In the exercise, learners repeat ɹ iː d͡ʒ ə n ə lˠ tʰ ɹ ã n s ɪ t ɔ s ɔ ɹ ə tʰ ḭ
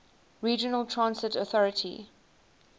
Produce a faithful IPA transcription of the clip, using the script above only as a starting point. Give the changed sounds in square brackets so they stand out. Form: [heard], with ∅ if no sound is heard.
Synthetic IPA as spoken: ɹ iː d͡ʒ ə n ə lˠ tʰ ɹ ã n s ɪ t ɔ [θ] ɔ ɹ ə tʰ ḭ